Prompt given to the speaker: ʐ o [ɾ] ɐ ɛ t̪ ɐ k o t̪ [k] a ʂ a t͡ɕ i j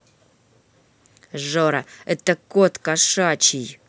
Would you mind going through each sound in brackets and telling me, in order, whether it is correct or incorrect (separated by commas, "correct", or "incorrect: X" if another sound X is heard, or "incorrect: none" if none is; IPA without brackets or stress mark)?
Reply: correct, correct